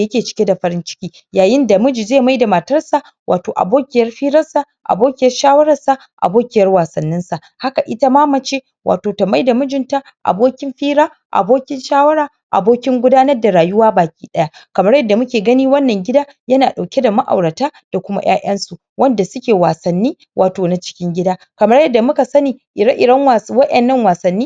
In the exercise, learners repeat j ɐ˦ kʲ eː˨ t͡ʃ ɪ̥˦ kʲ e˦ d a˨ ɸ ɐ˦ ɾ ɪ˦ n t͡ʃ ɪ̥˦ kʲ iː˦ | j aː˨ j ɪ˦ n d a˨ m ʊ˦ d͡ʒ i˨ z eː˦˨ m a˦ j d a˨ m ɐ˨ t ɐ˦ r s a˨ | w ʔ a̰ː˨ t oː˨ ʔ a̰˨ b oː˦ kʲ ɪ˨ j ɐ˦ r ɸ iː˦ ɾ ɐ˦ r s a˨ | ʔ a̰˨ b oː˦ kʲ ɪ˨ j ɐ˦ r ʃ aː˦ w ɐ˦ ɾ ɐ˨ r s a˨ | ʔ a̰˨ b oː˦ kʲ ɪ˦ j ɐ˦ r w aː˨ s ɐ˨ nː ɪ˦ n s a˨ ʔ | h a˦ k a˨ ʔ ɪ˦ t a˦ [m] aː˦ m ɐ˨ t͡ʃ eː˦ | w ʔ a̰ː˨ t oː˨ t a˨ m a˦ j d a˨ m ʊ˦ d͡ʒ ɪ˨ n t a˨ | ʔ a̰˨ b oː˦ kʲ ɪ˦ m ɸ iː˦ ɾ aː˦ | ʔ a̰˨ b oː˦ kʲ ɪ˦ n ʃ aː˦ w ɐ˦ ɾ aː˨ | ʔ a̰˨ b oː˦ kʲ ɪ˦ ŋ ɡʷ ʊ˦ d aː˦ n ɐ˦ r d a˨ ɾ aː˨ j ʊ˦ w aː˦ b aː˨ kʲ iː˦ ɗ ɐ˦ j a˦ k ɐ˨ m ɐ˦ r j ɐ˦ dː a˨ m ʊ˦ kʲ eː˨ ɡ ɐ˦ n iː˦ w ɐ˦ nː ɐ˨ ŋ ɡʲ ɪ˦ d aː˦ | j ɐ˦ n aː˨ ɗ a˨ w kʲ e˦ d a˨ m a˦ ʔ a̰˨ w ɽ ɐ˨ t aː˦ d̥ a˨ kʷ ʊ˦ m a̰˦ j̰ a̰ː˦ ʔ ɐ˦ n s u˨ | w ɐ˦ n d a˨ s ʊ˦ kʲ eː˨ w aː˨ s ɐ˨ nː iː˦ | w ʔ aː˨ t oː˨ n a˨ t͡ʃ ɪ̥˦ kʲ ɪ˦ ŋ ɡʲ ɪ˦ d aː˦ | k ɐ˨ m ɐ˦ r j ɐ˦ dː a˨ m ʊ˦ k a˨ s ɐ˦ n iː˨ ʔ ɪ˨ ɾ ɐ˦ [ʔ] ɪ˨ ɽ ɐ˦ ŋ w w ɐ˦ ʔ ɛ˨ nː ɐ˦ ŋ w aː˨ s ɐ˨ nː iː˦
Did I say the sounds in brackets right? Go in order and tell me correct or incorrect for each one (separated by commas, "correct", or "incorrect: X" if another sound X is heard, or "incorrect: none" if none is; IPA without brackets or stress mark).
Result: correct, correct